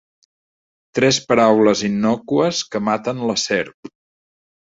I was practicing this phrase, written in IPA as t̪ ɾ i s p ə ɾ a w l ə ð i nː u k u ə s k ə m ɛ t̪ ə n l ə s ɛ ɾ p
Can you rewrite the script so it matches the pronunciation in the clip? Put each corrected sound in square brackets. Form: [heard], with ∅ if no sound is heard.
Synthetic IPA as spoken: t̪ ɾ [ɛ] s p ə ɾ a w l ə [z] i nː [ɔ] k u ə s k ə m [a] t̪ ə n l ə s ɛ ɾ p